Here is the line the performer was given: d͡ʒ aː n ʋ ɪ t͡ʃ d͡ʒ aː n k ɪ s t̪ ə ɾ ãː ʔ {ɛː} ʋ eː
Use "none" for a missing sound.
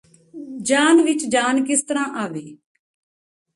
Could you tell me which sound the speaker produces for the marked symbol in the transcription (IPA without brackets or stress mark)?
aː